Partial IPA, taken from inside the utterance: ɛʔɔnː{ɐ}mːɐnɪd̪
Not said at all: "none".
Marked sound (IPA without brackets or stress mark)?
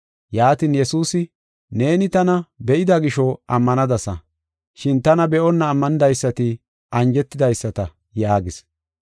ɐː